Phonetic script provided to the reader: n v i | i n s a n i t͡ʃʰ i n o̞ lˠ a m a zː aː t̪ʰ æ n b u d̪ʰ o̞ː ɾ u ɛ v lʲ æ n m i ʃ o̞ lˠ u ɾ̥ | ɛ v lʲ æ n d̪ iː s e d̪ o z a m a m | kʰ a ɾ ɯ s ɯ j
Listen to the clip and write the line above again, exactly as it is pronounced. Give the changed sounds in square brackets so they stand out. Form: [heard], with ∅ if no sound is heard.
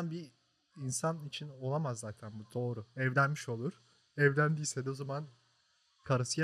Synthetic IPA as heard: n [b] i | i n s a n i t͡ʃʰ i n o̞ lˠ a m a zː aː t̪ʰ æ n b u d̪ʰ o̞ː ɾ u ɛ v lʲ æ n m i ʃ o̞ lˠ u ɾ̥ | ɛ v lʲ æ n d̪ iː s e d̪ o z a m a [n] | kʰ a ɾ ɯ s ɯ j